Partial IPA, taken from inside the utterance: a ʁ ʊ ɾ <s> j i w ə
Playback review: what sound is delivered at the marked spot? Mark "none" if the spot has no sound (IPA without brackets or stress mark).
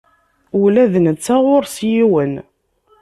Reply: s